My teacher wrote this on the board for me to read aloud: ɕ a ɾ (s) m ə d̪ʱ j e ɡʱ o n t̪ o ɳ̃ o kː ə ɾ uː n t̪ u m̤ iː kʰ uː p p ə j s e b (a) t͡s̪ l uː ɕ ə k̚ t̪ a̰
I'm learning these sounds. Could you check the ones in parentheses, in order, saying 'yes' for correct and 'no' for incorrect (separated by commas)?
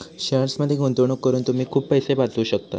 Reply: yes, yes